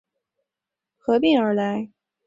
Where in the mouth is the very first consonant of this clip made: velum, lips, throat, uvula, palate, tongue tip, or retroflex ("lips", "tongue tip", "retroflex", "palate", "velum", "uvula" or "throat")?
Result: velum